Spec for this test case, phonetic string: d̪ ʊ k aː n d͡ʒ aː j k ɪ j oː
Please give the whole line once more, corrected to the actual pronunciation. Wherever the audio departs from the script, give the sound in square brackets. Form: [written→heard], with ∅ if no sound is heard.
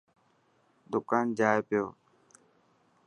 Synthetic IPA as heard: d̪ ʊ k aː n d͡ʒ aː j [k→p] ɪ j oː